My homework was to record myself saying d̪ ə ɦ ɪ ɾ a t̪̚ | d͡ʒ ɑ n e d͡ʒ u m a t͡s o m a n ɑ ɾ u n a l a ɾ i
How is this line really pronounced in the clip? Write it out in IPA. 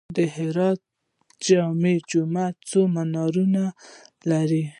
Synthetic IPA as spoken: d̪ ə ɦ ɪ ɾ ɑ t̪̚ | d͡ʒ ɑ m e d͡ʒ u m a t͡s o m a n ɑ ɾ u n a l a ɾ i